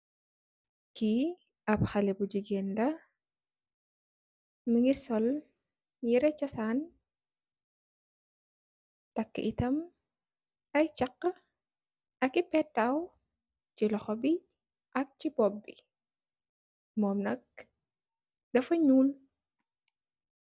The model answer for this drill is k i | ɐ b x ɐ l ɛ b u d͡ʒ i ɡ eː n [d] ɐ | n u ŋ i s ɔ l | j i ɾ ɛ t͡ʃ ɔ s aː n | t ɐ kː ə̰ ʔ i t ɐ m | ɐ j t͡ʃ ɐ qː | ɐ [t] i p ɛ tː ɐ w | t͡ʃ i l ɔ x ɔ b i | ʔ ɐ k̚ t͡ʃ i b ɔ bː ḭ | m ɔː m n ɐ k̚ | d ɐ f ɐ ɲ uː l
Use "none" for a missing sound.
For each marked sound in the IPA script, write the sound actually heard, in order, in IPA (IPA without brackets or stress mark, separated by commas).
d, k